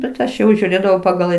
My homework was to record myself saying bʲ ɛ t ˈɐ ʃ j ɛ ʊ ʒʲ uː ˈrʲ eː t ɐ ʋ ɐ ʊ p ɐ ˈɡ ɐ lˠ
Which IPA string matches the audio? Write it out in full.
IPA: bʲ ɛ t ˈɐ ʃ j ɛ ʊ ʒʲ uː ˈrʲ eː d ɐ ʋ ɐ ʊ p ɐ ˈɡ ɐ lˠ